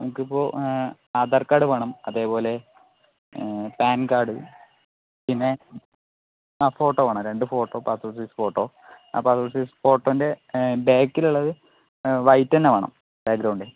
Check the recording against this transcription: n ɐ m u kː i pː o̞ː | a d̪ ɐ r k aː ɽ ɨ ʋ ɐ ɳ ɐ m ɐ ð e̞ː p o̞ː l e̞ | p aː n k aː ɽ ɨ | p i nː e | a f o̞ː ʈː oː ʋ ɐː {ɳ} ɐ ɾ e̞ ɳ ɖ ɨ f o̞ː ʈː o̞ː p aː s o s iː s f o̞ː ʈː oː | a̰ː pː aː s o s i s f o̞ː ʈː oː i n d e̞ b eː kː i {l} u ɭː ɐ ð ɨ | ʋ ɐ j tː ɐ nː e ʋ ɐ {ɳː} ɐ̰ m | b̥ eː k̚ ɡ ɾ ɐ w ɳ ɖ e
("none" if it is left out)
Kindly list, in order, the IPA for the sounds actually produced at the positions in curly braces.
ɳ, l, ɳ

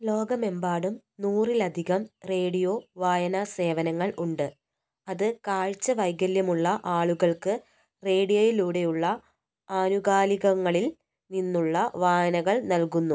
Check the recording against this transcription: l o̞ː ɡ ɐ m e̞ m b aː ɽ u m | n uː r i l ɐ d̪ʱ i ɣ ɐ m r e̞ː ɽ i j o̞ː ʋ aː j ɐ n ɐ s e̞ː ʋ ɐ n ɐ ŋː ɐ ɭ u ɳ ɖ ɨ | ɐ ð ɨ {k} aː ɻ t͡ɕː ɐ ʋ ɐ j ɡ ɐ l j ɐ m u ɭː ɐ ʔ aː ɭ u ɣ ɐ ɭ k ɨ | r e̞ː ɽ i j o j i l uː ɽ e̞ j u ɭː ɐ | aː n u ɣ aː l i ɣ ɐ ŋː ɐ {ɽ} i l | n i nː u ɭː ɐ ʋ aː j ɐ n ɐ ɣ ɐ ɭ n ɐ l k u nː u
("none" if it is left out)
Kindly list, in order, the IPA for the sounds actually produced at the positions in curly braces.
k, ɭ

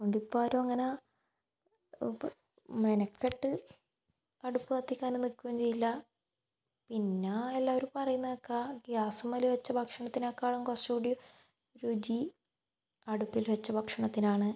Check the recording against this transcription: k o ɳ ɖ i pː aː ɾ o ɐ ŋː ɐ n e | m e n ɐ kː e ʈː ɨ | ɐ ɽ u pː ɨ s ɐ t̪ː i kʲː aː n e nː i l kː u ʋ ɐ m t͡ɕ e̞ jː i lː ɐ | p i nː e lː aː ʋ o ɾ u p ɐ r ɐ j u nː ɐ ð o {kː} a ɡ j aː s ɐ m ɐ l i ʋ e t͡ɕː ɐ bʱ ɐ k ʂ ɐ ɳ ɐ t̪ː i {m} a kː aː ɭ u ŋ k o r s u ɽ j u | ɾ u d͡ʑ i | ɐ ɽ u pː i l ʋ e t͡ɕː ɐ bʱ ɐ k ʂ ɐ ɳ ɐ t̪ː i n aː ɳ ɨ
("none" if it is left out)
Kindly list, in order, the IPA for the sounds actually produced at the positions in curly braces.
kː, n

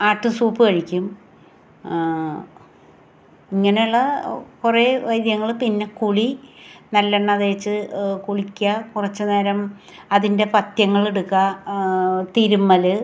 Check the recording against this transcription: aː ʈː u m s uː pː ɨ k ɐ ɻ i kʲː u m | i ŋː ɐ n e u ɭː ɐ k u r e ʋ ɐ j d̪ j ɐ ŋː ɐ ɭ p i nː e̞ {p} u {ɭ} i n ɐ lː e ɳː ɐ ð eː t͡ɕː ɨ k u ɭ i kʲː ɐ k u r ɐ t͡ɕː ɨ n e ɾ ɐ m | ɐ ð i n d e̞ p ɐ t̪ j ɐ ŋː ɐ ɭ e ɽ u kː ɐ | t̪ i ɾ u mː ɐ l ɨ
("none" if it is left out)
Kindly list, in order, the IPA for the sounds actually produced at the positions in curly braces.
k, ɭ

